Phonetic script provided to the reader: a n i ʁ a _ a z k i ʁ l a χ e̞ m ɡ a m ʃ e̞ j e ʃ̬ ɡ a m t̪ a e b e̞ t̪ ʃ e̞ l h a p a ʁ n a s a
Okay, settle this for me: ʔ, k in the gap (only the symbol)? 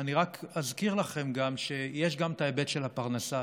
k